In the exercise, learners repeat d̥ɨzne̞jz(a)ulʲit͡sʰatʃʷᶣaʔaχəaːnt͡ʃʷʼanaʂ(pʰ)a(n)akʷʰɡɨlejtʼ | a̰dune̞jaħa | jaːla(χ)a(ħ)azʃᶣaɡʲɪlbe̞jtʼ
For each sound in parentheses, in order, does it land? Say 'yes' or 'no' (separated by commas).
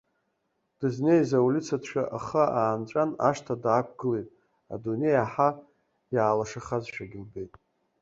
yes, no, no, no, no